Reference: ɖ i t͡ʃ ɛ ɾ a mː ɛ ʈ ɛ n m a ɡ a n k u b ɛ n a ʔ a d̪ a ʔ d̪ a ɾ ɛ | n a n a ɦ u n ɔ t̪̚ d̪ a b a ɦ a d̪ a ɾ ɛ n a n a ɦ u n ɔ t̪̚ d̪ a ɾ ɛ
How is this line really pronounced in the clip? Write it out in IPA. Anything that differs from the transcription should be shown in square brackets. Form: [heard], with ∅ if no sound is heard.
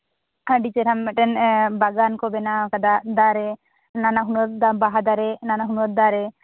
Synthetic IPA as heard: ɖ i t͡ʃ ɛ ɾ a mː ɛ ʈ ɛ n [b] a ɡ a n k [ɔ] b ɛ n a [k] a d̪ a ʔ d̪ a ɾ ɛ | n a n a ɦ u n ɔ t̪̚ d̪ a b a ɦ a d̪ a ɾ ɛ n a n a ɦ u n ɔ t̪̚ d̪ a ɾ ɛ